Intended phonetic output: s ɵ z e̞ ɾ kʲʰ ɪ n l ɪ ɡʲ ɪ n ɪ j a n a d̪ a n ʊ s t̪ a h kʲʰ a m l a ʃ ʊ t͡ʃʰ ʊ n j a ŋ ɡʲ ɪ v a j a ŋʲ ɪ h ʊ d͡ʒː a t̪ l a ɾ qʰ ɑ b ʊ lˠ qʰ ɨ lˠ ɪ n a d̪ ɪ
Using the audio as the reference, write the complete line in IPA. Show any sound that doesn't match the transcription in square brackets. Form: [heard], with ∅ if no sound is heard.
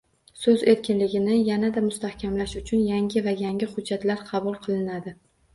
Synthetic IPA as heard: s ɵ z e̞ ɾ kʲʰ ɪ n l ɪ ɡʲ ɪ n ɪ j a n a d̪ a [m] ʊ s t̪ a h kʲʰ a m l a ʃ ʊ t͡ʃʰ ʊ n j a ŋ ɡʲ ɪ v a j a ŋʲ ɪ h ʊ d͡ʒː a t̪ l a ɾ qʰ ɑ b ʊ lˠ qʰ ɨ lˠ ɪ n a d̪ ɪ